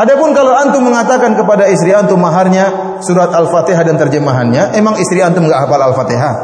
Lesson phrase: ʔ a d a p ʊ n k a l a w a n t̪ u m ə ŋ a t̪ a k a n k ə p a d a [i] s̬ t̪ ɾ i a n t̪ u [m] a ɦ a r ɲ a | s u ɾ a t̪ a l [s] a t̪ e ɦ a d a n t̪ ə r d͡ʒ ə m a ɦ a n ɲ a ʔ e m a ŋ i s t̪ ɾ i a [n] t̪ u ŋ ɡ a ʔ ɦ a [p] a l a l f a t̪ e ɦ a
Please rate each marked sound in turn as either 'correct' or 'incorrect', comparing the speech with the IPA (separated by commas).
correct, correct, incorrect, correct, correct